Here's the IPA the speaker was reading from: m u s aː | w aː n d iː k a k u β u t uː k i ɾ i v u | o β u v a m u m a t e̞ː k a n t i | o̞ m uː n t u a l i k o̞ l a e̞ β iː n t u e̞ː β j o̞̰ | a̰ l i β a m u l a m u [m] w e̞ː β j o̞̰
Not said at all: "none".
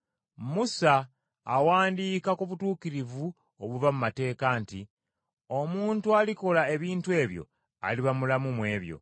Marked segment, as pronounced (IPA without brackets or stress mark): m